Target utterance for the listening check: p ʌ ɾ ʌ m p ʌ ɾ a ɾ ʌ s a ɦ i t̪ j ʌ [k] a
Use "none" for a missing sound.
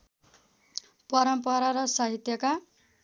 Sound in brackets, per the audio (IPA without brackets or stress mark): k